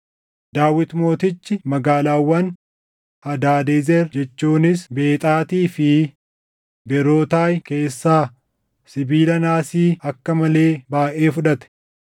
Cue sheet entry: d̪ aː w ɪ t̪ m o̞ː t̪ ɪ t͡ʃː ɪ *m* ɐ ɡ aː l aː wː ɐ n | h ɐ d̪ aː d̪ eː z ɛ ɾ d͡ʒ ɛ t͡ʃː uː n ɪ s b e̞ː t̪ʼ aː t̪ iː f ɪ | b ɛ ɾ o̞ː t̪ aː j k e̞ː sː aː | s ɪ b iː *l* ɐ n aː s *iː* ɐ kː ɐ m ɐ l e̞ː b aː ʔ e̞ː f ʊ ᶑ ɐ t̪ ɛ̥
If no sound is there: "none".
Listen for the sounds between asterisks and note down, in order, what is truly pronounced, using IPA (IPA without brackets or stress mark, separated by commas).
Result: m, l, iː